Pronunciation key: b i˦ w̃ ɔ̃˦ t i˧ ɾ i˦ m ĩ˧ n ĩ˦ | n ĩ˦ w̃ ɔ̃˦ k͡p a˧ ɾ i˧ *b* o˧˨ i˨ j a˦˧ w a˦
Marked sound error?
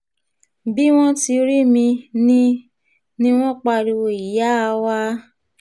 yes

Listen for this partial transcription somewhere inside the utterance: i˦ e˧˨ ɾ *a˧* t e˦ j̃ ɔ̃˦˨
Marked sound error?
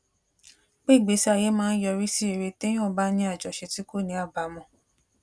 yes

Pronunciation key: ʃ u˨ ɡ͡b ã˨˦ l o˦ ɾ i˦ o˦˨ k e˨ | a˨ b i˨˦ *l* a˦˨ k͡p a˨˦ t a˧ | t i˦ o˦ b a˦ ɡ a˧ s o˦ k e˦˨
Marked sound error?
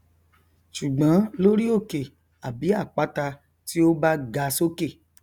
yes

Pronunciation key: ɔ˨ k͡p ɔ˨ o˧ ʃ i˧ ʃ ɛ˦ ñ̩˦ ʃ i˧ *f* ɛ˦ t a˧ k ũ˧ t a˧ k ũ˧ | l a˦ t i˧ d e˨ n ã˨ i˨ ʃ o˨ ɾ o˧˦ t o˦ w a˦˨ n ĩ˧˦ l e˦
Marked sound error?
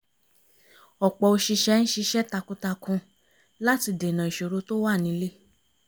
yes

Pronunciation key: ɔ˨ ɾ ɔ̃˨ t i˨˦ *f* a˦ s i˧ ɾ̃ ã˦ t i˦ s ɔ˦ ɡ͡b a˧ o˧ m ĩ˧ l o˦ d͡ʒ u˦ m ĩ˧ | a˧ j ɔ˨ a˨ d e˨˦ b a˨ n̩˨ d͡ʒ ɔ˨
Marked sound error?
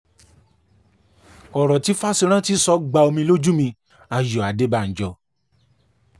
no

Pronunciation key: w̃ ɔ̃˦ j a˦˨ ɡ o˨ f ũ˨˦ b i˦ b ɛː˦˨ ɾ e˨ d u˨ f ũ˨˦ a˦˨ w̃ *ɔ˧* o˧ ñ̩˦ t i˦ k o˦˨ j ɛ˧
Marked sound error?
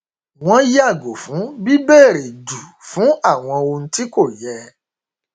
yes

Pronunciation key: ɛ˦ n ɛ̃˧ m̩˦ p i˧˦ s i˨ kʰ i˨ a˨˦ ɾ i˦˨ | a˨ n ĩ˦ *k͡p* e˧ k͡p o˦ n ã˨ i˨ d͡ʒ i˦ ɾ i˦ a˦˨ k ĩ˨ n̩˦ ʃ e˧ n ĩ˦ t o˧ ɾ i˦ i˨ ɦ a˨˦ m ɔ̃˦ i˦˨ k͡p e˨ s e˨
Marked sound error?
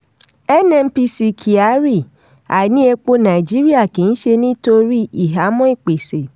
yes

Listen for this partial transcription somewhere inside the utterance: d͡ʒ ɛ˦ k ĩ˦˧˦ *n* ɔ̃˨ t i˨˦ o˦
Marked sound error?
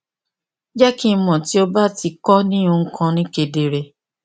yes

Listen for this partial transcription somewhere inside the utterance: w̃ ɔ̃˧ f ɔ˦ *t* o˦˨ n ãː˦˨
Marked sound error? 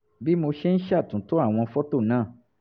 no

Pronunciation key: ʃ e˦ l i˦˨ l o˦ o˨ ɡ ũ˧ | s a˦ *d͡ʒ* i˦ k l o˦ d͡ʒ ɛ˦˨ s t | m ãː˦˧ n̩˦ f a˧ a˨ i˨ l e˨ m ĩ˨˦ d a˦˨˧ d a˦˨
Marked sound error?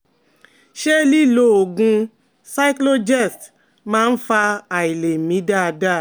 yes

